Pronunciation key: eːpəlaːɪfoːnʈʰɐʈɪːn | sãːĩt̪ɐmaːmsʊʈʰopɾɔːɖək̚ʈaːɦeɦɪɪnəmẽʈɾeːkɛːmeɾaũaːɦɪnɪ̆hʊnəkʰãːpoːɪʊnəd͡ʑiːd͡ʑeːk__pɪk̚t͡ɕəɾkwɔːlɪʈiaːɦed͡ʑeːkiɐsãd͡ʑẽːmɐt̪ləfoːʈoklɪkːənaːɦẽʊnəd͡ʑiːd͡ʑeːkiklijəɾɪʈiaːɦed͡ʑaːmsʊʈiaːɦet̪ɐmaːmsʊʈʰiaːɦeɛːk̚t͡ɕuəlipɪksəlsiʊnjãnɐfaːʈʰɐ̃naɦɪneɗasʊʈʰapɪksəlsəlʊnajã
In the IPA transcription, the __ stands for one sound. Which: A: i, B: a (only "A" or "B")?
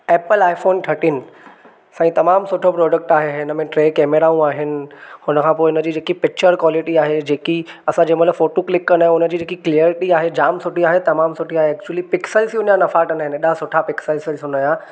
A